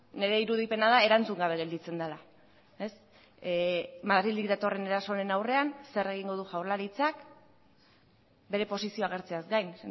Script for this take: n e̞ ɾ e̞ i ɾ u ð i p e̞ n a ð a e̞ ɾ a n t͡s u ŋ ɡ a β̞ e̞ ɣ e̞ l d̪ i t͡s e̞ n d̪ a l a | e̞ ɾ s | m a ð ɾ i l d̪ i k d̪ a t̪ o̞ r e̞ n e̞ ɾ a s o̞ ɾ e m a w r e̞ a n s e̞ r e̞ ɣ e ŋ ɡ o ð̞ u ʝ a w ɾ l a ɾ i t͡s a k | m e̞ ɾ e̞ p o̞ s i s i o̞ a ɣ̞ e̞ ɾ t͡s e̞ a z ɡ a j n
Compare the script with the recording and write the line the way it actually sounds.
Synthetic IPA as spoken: n e̞ ɾ e̞ i ɾ u ð i p e̞ n a ð a e̞ ɾ a n t͡s u ŋ ɡ a β̞ e̞ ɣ e̞ l d̪ i t͡s e̞ n d̪ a l a | e̞ s | m a ð ɾ i l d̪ i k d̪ a t̪ o̞ r e̞ n e̞ ɾ a s o̞ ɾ e n a w r e̞ a n s e̞ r e̞ ɣ i ŋ ɡ o ð̞ u ʝ a w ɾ l a ɾ i t͡s a k | b e̞ ɾ e̞ p o̞ s i s i o̞ a ɣ̞ e̞ ɾ t͡s e̞ a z ɡ a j n

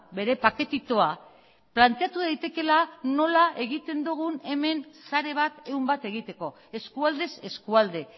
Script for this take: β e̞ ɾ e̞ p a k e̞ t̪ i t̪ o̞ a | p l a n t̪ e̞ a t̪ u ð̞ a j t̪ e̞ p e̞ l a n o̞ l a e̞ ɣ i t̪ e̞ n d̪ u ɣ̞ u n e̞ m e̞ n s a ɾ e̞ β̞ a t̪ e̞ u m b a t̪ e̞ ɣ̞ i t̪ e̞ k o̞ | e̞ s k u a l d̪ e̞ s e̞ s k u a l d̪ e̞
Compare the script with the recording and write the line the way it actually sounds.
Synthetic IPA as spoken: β e̞ ɾ e̞ p a k e̞ t̪ i t̪ o̞ a | p l a n t̪ e̞ a t̪ u ð̞ a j t̪ e̞ k e̞ l a n o̞ l a e̞ ɣ i t̪ e̞ n d̪ u ɣ̞ u n e̞ m e̞ n s a ɾ e̞ β̞ a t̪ e̞ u m b a t̪ e̞ ɣ̞ i t̪ e̞ k o̞ | e̞ s k u a l d̪ e̞ s e̞ s k u a l d̪ e̞

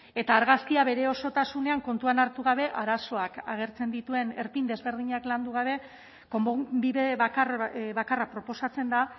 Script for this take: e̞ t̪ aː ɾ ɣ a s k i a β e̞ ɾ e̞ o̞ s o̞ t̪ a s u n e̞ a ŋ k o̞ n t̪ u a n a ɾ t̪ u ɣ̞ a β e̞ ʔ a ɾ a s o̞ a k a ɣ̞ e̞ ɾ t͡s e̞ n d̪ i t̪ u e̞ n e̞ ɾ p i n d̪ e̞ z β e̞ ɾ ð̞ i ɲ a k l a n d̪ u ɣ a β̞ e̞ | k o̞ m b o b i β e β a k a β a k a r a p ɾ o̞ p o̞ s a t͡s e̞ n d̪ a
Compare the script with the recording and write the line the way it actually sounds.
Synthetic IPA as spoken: e̞ t̪ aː ɾ ɣ a s k i a β e̞ ɾ e̞ o̞ s o̞ t̪ a s u n e̞ a ŋ k o̞ n t̪ u a n a ɾ t̪ u ɣ̞ a β e̞ ʔ a ɾ a s o̞ a k a ɣ̞ e̞ ɾ t͡s e̞ n d̪ i t̪ u e̞ n e̞ ɾ p i n d̪ e̞ z β e̞ ɾ ð̞ i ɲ a k l a n d̪ u ɣ a β̞ e̞ | k o̞ m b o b i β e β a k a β a k a r a p ɾ o̞ p o̞ s a t͡s e̞ n d̪ a

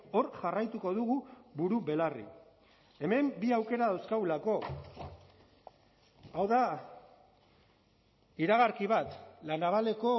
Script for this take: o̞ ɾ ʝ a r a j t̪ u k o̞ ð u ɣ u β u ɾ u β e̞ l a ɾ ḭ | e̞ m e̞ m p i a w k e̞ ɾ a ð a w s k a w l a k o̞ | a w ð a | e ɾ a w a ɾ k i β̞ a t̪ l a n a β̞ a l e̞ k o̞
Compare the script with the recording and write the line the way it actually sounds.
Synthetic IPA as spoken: o̞ ɾ ʝ a r a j t̪ u k o̞ ð u ɣ u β u ɾ u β e̞ l a r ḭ | e̞ m e̞ m b i a w k e̞ ɾ a ð a w s k a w l a k o̞ | a w ð a | i ɾ a ɣ a ɾ k i β̞ a t̪ l a n a β̞ a l e̞ k o̞

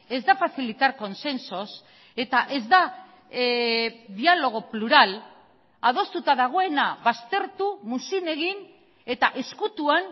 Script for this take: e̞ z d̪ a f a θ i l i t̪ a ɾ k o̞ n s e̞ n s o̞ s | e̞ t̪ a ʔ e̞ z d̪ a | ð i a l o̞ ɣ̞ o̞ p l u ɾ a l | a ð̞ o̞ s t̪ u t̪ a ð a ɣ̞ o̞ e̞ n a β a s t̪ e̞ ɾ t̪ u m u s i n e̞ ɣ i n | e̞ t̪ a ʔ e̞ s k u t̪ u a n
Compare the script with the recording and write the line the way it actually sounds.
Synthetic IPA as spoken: e̞ z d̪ a f a θ i l i t̪ a ɾ k o̞ n s e̞ n s o̞ s | e̞ t̪ a ʔ e̞ z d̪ a | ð i a l o̞ ɣ̞ o̞ p l u ɾ a l | a ð̞ o̞ s t̪ u t̪ a ð a ɣ̞ o̞ e̞ n a β a s t̪ e̞ ɾ t̪ u m u s i n e̞ ɣ i n | e̞ t̪ a ʔ e̞ s k u t̪ u a n

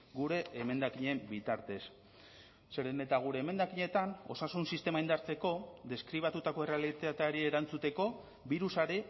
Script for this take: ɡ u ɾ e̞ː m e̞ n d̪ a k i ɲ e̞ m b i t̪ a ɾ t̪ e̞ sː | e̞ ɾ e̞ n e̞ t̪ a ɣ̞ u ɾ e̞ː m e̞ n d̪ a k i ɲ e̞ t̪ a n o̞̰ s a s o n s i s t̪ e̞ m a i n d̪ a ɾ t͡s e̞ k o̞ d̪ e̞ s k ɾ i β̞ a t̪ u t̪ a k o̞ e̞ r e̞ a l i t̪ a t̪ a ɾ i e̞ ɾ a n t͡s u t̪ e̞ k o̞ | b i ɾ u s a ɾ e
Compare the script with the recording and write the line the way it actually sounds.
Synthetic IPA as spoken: ɡ u ɾ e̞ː m e̞ n d̪ a k i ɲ e̞ m b i t̪ a ɾ t̪ e̞ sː | e̞ ɾ e̞ n e̞ t̪ a ɣ̞ u ɾ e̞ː m e̞ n d̪ a k i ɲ e̞ t̪ a n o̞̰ s a s u n s i s t̪ e̞ m a i n d̪ a ɾ t͡s e̞ k o̞ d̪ e̞ s k ɾ i β̞ a t̪ u t̪ a k o̞ e̞ r e̞ a l i t̪ a t̪ a ɾ i e̞ ɾ a n t͡s u t̪ e̞ k o̞ | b i ɾ u s a ɾ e

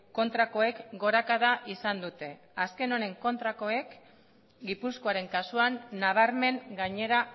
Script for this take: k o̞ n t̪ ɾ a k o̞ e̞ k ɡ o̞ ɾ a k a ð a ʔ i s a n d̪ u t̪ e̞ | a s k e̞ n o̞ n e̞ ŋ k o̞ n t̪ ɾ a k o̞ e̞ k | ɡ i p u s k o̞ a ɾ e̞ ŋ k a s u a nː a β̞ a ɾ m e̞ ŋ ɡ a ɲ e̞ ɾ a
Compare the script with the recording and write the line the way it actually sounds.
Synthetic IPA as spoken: k o̞ n t̪ ɾ a k o̞ e̞ k ɡ o̞ ɾ a k a ð a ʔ i s a n d̪ u t̪ e̞ | a s k e̞ n o̞ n e̞ ŋ k o̞ n t̪ ɾ a k o̞ e̞ k | ɡ i p u s k o̞ a ɾ e̞ ŋ k a s u a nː a β̞ a ɾ m e̞ ŋ ɡ a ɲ e̞ ɾ a

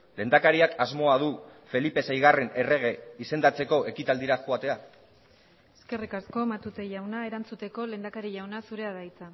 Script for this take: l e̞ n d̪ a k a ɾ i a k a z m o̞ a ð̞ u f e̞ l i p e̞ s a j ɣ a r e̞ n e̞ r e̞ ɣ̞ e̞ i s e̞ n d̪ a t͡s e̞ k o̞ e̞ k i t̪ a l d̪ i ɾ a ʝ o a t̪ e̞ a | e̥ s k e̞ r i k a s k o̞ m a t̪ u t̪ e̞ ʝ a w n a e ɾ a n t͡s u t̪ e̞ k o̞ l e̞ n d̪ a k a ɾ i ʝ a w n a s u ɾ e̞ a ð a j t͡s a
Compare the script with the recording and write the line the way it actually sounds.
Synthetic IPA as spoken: l e̞ n d̪ a k a ɾ i a k a z m o̞ a ð̞ u f e̞ l i p e̞ s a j ɣ a r e̞ n e̞ r e̞ ɣ̞ e̞ i s e̞ n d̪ a t͡s e̞ k o̞ e̞ k i t̪ a l d̪ i ɾ a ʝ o a t̪ e̞ a | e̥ s k e̞ r i k a s k o̞ m a t̪ u t̪ e̞ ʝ a w n a e ɾ a n t͡s u t̪ e̞ k o̞ l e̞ n d̪ a k a ɾ i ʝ a w n a s u ɾ e̞ a ð a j t͡s a

